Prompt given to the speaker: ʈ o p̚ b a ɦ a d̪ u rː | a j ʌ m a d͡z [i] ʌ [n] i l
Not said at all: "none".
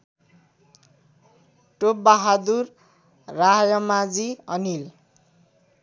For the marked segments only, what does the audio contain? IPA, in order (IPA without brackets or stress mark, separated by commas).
i, n